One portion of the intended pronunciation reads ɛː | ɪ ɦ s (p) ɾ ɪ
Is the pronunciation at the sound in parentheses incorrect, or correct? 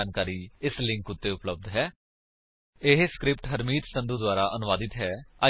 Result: incorrect